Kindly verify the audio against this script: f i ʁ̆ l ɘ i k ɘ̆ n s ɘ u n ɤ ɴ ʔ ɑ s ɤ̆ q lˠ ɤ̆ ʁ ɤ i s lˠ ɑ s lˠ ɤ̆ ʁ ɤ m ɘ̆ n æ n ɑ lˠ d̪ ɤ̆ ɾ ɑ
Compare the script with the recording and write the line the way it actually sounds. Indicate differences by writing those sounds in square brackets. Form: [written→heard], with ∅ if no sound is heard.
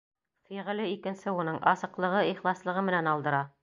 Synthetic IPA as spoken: f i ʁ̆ l ɘ i k ɘ̆ n s ɘ u n ɤ ɴ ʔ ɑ s ɤ̆ q lˠ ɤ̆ ʁ ɤ i [s→χ] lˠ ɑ s lˠ ɤ̆ ʁ ɤ m ɘ̆ n æ n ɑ lˠ d̪ ɤ̆ ɾ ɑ